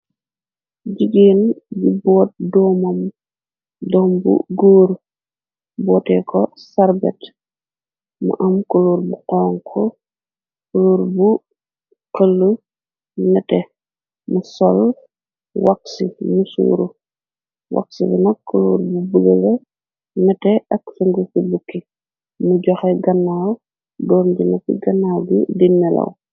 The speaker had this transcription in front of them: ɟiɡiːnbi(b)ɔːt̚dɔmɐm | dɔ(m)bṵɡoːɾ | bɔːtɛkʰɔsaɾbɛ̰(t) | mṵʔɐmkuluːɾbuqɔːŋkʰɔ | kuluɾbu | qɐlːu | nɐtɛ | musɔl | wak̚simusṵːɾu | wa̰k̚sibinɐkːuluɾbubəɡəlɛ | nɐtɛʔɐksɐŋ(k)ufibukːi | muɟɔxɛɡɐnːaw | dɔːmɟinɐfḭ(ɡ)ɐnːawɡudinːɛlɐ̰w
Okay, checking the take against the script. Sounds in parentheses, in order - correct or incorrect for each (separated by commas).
correct, correct, correct, incorrect, correct